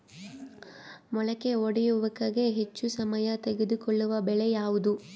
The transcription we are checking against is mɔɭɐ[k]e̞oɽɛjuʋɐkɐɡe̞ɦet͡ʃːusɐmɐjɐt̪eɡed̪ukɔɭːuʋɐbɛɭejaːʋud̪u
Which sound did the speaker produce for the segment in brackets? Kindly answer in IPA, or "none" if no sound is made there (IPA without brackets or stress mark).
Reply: k